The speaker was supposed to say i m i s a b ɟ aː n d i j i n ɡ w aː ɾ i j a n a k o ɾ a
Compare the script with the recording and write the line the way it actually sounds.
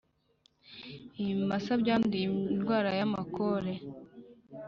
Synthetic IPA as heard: i m a s a b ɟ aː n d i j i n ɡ w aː ɾ a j a m a k o ɾ e

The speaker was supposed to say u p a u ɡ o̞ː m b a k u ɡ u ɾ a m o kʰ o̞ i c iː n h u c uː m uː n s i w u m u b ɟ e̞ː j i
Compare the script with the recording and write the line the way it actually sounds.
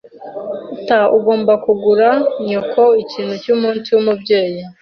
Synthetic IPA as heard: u t a u ɡ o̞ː m b a k u ɡ u ɾ a ɲ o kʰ o̞ i c iː n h u c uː m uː n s i w u m u b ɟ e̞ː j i

